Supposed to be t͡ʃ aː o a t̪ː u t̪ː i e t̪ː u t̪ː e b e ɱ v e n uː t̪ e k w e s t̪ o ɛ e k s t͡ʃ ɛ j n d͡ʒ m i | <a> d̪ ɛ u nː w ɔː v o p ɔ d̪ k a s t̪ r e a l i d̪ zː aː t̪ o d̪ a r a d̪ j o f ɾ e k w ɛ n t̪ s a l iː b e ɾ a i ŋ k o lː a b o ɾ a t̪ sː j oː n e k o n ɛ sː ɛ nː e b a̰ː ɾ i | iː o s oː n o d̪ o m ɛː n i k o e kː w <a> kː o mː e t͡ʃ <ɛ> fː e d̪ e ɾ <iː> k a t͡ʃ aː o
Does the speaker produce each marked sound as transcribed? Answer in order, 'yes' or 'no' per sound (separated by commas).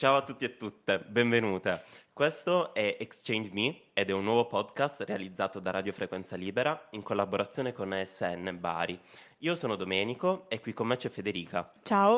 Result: no, no, yes, yes